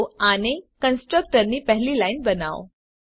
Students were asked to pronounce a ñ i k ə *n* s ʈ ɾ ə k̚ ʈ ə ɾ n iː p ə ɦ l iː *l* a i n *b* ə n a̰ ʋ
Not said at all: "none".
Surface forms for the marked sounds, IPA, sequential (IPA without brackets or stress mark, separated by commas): n, l, b